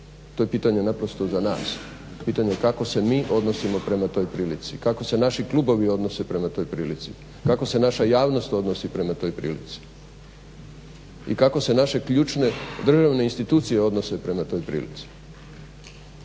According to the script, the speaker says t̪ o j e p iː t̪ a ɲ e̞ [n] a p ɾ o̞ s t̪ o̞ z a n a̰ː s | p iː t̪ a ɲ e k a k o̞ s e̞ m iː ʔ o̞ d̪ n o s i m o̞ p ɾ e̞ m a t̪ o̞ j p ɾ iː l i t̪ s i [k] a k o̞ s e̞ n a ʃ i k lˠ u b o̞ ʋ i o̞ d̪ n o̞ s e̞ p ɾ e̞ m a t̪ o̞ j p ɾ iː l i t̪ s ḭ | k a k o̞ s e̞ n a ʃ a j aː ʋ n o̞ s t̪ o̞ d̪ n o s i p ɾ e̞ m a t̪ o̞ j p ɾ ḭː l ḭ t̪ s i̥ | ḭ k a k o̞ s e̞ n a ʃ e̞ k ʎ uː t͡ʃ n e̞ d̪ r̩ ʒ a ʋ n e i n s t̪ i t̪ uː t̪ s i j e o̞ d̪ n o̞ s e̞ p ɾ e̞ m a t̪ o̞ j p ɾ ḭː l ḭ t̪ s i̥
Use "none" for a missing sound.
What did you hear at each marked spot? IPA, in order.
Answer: n, k

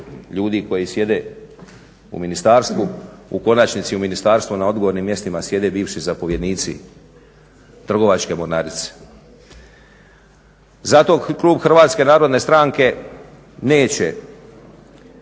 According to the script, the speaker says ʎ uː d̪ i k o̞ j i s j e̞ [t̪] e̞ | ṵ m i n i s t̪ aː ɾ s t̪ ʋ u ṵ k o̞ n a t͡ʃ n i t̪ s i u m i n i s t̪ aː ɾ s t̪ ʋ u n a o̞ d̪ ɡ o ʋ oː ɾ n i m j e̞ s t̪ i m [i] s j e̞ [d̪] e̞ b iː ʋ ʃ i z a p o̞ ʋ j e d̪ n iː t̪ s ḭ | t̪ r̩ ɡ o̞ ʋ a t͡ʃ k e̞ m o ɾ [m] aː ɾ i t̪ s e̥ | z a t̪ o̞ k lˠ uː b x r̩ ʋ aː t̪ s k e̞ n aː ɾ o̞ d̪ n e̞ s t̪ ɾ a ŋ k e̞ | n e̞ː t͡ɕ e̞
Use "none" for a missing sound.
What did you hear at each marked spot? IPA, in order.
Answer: d̪, a, d̪, n

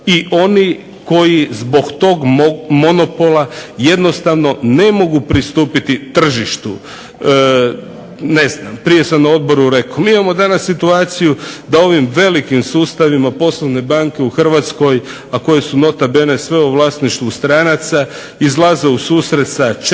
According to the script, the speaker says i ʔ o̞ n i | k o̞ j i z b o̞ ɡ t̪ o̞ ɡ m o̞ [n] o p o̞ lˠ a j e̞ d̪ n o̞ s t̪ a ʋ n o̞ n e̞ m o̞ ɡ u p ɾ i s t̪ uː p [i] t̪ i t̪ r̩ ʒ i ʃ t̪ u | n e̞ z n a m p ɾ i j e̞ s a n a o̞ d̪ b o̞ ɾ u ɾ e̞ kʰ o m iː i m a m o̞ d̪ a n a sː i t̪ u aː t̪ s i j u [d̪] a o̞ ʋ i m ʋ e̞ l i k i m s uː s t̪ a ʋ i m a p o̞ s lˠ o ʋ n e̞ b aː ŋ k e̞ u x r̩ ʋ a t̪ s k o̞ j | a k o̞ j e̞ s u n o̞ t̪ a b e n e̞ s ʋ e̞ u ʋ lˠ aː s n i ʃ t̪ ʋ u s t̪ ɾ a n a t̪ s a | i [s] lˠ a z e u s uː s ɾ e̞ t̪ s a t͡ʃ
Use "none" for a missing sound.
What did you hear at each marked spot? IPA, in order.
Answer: n, i, d̪, z

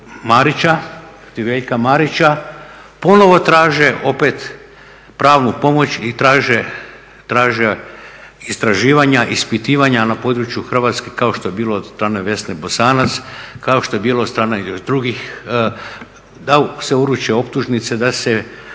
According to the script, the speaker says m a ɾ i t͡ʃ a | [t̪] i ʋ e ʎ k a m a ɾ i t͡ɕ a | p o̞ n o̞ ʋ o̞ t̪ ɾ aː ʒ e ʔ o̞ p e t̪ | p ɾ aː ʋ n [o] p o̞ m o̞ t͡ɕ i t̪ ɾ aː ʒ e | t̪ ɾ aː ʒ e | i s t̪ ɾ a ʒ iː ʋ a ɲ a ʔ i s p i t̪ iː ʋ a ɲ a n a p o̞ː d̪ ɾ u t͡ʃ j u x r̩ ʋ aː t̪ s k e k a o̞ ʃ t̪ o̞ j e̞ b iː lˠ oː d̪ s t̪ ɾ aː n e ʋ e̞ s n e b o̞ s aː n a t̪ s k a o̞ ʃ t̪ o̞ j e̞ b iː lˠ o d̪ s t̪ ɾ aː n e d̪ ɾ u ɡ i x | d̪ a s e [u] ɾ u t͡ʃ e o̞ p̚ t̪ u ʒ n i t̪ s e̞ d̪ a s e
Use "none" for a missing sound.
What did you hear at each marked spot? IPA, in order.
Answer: t̪, u, u

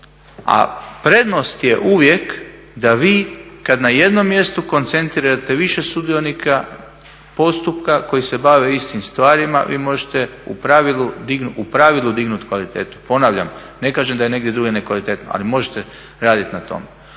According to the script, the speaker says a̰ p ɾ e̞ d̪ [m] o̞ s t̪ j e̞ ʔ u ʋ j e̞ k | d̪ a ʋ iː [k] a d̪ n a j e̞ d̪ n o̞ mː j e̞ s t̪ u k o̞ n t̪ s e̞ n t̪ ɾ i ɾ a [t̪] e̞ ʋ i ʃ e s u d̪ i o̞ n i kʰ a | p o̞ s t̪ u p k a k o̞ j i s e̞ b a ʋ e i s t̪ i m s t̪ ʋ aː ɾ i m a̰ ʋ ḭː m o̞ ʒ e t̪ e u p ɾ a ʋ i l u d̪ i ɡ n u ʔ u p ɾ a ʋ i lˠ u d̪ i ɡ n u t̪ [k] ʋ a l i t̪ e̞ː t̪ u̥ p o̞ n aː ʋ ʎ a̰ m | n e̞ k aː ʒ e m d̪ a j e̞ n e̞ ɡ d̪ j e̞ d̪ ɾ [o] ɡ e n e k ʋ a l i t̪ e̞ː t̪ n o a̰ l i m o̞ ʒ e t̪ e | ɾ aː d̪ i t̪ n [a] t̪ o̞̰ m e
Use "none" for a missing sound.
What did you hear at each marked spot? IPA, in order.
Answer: n, k, t̪, k, u, a

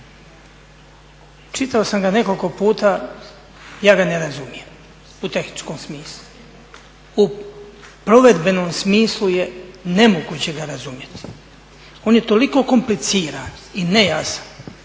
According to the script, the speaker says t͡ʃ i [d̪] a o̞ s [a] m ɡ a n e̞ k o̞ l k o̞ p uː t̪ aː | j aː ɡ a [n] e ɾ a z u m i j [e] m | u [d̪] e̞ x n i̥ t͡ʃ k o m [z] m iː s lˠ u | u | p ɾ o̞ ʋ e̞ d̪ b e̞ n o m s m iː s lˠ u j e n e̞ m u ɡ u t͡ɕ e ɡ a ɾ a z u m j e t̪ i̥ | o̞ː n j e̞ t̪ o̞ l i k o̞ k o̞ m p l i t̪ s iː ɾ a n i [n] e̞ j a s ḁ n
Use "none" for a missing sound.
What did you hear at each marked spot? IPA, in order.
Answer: t̪, a, n, e, t̪, s, n

